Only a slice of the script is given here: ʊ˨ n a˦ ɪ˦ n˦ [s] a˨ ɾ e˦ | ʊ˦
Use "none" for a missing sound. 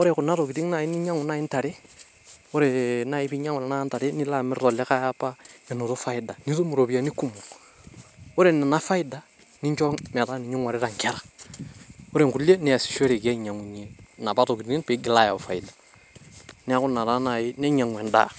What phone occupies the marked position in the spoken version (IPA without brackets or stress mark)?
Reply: t